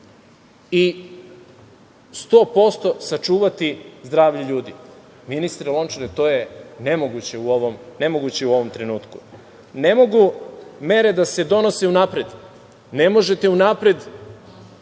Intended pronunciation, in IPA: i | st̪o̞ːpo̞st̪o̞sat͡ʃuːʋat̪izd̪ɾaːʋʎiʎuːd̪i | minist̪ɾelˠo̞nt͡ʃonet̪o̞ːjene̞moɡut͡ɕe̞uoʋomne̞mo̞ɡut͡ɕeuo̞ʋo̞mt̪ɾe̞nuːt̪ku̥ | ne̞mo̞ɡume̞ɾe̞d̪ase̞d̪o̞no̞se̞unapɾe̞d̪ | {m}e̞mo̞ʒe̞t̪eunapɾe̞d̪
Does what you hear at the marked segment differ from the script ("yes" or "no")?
yes